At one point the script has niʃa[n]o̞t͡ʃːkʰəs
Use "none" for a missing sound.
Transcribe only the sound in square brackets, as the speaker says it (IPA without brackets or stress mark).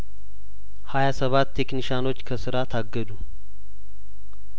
n